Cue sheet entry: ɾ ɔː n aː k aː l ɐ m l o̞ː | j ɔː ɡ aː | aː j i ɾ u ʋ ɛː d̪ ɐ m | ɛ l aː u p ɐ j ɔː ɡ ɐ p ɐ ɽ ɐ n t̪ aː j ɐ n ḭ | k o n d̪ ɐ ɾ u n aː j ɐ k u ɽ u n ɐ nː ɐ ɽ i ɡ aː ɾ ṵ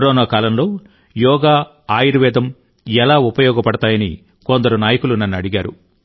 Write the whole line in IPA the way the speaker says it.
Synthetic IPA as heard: ɾ ɔː n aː k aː l ɐ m l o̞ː | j ɔː ɡ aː | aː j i ɾ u ʋ ɛː d̪ ɐ m | ɛ l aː u p ɐ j ɔː ɡ ɐ p ɐ ɽ ɐ t̪ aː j ɐ n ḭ | k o n d̪ ɐ ɾ u n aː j ɐ k u l u n ɐ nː ɐ ɽ i ɡ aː ɾ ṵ